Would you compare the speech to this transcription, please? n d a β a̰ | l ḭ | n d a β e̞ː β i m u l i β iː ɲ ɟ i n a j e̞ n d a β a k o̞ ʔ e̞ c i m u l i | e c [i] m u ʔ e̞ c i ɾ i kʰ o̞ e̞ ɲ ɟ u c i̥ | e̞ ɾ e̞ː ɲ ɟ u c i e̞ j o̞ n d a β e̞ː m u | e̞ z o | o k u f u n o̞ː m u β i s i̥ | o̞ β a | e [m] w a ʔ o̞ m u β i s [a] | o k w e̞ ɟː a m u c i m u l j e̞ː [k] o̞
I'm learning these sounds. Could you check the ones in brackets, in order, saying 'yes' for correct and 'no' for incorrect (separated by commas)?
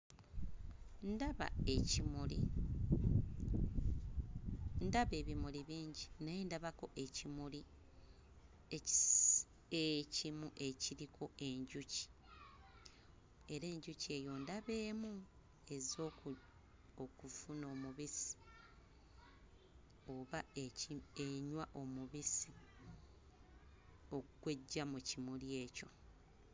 yes, no, no, no